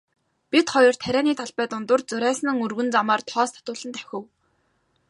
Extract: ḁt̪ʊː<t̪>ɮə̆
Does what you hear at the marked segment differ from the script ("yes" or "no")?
yes